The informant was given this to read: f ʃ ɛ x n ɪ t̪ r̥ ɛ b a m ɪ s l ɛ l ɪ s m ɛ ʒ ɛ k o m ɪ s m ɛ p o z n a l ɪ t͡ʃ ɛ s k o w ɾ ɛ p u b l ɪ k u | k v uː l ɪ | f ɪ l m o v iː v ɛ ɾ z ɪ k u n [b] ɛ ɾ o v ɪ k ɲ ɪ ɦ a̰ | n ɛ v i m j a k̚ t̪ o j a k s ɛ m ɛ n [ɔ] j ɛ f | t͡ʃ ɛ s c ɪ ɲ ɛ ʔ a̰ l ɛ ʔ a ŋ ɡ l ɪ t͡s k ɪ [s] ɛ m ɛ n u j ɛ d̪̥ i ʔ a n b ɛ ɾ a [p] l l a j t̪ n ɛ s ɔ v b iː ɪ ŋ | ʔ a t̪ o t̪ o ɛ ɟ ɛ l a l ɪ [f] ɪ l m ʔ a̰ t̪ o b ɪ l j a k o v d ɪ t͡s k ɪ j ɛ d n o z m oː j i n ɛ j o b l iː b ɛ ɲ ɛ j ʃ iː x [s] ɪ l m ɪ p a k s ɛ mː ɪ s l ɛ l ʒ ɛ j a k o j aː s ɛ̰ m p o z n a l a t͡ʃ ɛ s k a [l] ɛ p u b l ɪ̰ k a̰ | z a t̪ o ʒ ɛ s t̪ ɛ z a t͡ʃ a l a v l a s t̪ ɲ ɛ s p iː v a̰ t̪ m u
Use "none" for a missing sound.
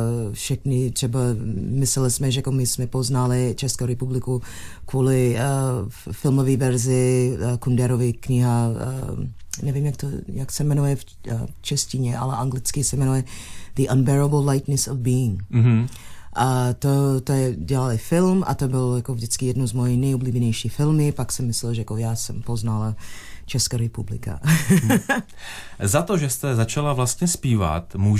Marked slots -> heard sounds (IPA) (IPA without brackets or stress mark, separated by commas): d, u, s, b, f, f, ɾ